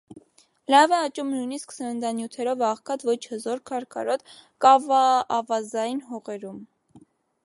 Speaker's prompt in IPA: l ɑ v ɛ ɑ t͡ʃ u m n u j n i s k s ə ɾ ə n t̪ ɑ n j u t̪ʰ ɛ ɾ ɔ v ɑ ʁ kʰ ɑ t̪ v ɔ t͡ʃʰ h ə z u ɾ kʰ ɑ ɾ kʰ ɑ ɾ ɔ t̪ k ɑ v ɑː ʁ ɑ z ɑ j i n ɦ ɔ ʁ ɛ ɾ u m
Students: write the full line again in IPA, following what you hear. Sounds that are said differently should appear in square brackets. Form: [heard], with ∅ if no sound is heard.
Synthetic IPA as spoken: l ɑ v ɛ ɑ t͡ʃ u m n u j n i s k s ə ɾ ə n [d̪] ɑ n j u t̪ʰ ɛ ɾ ɔ v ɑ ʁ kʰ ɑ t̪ v ɔ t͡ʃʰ h ə z [ɔ] ɾ kʰ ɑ ɾ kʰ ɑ ɾ ɔ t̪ k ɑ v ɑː [v] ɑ z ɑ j i n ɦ ɔ ʁ ɛ ɾ u m